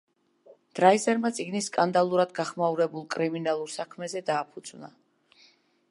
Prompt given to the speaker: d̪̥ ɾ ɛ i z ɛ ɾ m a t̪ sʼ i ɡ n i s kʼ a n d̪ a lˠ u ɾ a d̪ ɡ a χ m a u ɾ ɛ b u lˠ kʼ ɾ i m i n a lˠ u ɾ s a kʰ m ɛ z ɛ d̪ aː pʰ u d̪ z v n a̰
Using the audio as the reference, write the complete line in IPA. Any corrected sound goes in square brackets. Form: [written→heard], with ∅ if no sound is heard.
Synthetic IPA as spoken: d̪̥ ɾ [ɛ→a] i z ɛ ɾ m a t̪ sʼ i ɡ n i s kʼ a n d̪ a lˠ u ɾ a d̪ ɡ a χ m a u ɾ ɛ b u lˠ kʼ ɾ i m i n a lˠ u ɾ s a kʰ m ɛ z ɛ d̪ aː pʰ u d̪ z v n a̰